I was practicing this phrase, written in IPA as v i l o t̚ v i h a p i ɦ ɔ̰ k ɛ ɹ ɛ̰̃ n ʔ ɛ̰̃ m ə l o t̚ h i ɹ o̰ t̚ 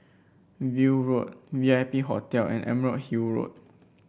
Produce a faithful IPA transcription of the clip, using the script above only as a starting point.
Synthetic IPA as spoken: v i ɹ o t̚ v i a p i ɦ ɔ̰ t ɛ l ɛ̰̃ n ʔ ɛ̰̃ m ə ɹ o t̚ h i ɹ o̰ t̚